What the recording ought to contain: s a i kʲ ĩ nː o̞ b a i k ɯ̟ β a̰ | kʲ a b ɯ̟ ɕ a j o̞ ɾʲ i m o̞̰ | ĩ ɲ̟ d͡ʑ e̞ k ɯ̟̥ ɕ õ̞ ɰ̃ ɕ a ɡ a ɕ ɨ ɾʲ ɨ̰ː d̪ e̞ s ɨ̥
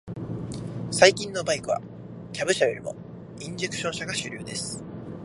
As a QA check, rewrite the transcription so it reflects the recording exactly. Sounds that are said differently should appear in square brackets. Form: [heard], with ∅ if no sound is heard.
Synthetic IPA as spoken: s a i kʲ ĩ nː o̞ b a i k ɯ̟ β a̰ | kʲ a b ɯ̟ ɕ a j o̞ ɾʲ i m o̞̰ | ĩ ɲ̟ d͡ʑ e̞ k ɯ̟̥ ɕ õ̞ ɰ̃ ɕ a ɡ a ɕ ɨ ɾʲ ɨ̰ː d̪ e̞ s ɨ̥